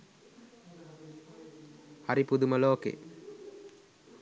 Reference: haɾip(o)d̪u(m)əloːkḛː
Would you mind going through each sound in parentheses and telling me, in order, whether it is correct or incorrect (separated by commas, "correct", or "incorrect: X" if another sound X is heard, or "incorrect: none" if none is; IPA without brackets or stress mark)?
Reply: incorrect: u, correct